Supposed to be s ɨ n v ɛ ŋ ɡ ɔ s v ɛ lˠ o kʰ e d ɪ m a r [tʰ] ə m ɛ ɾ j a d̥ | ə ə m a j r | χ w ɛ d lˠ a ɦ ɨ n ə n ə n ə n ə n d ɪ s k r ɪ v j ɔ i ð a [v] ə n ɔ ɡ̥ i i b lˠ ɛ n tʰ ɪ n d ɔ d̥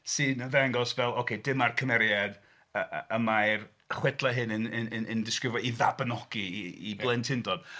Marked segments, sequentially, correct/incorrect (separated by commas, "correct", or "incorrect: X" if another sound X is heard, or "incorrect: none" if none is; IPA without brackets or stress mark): incorrect: kʰ, incorrect: b